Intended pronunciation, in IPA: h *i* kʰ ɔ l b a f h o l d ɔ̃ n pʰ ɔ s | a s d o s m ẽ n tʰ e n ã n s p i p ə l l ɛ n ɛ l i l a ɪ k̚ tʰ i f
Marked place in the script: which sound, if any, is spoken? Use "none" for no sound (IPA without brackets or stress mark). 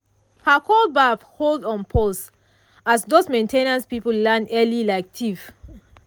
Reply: a